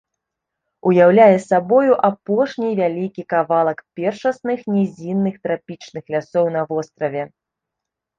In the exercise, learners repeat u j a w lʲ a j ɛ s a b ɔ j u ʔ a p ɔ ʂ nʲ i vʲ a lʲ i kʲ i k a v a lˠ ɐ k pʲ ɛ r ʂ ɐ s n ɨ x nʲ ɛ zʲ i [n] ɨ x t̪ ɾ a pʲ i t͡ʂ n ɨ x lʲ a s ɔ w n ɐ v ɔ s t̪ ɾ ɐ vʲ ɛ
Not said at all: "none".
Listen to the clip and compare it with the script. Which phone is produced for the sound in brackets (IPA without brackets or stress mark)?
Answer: nː